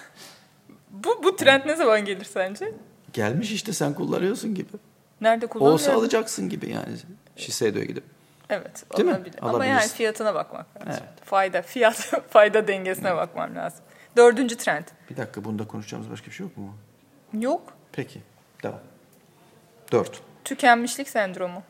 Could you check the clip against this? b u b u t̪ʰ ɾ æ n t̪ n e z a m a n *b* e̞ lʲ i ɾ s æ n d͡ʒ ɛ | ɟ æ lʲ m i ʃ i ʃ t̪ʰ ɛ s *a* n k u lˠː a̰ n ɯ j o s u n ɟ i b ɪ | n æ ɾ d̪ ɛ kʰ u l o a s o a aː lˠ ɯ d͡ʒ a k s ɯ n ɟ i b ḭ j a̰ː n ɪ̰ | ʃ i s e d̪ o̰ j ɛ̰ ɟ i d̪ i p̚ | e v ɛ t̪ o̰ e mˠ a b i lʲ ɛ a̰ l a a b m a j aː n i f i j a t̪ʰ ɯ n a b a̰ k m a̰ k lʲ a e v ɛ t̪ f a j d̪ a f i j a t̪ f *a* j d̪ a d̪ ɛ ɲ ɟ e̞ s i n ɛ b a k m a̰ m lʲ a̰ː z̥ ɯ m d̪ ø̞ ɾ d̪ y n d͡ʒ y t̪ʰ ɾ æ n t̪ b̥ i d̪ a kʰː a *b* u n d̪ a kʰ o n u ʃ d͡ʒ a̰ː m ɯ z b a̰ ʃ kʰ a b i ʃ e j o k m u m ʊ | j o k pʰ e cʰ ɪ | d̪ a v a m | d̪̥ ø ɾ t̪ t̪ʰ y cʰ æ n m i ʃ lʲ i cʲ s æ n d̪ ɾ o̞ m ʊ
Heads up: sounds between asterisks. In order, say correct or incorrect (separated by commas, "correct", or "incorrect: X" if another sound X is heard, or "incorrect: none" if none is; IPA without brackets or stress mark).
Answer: incorrect: ɟ, incorrect: æ, correct, correct